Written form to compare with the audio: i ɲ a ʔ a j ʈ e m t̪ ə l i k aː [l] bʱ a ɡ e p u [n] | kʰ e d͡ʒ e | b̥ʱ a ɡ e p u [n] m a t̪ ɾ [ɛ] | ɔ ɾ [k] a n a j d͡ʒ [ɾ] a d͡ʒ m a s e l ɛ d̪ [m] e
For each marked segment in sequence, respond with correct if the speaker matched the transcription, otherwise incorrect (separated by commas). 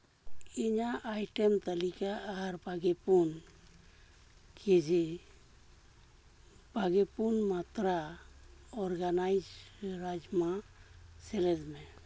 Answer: incorrect, correct, correct, incorrect, incorrect, correct, correct